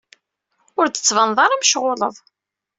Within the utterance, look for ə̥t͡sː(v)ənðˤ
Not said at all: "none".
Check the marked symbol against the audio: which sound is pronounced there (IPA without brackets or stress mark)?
v